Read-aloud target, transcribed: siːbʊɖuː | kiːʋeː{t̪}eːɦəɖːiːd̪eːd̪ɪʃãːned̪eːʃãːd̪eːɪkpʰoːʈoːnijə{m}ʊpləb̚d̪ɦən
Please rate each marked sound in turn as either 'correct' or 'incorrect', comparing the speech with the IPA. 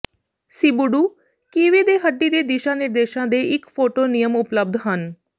incorrect, correct

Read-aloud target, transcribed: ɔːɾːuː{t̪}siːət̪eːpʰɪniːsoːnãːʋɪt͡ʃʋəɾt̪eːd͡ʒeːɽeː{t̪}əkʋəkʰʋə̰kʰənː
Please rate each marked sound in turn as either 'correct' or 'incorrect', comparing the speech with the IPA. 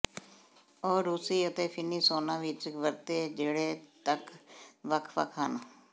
incorrect, correct

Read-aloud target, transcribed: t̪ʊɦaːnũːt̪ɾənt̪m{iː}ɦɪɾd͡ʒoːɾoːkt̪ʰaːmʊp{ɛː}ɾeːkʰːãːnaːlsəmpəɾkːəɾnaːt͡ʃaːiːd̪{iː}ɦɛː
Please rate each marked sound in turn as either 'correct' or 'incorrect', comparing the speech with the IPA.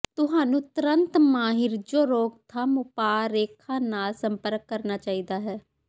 incorrect, incorrect, incorrect

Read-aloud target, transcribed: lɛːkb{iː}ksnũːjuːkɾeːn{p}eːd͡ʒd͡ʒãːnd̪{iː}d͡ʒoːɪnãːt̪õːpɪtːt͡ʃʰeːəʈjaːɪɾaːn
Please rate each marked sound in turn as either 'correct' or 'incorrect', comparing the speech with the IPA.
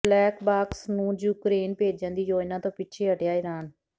incorrect, correct, correct

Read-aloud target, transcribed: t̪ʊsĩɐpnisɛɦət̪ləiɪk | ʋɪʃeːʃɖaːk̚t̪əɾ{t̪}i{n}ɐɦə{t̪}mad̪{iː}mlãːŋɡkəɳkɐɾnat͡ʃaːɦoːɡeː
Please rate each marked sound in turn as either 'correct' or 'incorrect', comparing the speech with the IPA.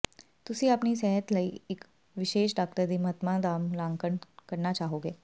incorrect, incorrect, correct, incorrect

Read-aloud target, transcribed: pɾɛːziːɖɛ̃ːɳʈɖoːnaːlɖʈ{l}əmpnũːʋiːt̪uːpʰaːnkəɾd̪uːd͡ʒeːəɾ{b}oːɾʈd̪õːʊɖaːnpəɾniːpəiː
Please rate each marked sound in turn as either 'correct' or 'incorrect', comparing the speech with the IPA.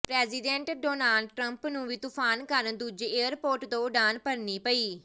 incorrect, incorrect

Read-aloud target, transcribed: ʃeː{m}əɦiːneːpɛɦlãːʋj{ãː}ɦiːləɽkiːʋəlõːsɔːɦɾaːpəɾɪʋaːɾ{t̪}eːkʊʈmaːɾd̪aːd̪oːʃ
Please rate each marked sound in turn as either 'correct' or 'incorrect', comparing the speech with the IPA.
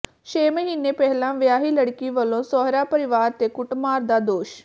correct, incorrect, correct

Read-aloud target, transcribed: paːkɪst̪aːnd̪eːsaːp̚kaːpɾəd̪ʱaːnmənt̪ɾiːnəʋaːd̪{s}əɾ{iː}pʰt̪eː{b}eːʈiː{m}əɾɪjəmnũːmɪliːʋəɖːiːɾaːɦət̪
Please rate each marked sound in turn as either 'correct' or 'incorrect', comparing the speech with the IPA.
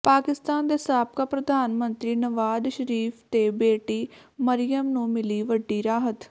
incorrect, correct, correct, correct

